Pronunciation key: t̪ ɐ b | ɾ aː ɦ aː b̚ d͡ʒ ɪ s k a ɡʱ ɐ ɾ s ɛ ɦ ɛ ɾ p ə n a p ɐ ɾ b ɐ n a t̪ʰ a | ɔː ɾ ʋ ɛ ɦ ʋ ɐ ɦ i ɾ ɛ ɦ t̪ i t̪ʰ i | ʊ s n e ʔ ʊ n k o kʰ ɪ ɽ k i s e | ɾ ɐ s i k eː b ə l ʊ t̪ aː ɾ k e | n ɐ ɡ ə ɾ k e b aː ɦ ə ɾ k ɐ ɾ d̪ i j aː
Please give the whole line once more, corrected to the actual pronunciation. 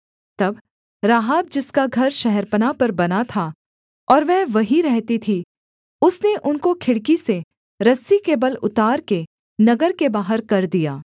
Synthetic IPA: t̪ ɐ b | ɾ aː ɦ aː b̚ d͡ʒ ɪ s k a ɡʱ ɐ ɾ ʃ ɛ ɦ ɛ ɾ p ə n a p ɐ ɾ b ɐ n a t̪ʰ a | ɔː ɾ ʋ ɛ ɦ ʋ ɐ ɦ i ɾ ɛ ɦ t̪ i t̪ʰ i | ʊ s n e ʔ ʊ n k o kʰ ɪ ɽ k i s e | ɾ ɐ s i k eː b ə l ʊ t̪ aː ɾ k e | n ɐ ɡ ə ɾ k e b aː ɦ ə ɾ k ɐ ɾ d̪ i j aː

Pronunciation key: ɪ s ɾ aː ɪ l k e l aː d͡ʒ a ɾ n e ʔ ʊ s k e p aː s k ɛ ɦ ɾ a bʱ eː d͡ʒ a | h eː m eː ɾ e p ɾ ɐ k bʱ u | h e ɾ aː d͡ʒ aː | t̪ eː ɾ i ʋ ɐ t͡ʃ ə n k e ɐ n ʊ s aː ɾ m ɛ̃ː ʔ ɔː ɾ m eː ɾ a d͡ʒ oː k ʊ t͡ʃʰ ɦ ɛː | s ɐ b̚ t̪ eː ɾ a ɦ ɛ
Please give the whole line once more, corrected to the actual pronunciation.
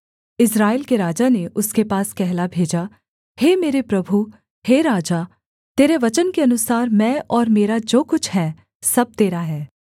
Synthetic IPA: ɪ s ɾ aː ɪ l k e ɾ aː d͡ʒ a n e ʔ ʊ s k e p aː s k ɛ ɦ l a bʱ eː d͡ʒ a | h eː m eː ɾ e p ɾ ɐ bʱ u | h e ɾ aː d͡ʒ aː | t̪ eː ɾ e ʋ ɐ t͡ʃ ə n k e ɐ n ʊ s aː ɾ m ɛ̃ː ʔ ɔː ɾ m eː ɾ a d͡ʒ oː k ʊ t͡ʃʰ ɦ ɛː | s ɐ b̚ t̪ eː ɾ a ɦ ɛː

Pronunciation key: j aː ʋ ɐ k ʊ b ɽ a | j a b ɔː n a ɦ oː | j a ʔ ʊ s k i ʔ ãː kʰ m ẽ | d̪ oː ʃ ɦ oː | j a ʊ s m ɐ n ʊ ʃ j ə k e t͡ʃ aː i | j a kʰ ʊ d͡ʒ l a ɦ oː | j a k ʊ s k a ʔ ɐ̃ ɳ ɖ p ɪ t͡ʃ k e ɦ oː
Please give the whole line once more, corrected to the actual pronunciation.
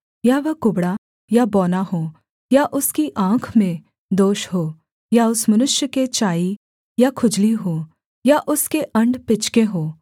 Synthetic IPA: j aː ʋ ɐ k ʊ b ɽ a | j a b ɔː n a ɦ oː | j a ʔ ʊ s k i ʔ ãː kʰ m ẽ | d̪ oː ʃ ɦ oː | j a ʊ s m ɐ n ʊ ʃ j ə k e t͡ʃ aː i | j a kʰ ʊ d͡ʒ l i ɦ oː | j a ʔ ʊ s k e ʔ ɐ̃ ɳ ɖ p ɪ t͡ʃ k e ɦ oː

